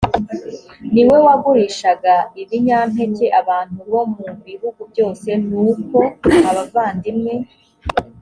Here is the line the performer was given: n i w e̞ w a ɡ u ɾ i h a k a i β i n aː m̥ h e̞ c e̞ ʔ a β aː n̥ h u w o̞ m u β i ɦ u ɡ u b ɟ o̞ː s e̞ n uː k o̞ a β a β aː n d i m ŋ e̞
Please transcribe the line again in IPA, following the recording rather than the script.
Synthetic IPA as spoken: n i w e̞ w a ɡ u ɾ i ʃ a ɡ a i β i ɲ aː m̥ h e̞ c e̞ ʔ a β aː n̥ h u β o̞ m u β i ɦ u ɡ u b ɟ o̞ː s e̞ n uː k o̞ a β a v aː n d i m ŋ e̞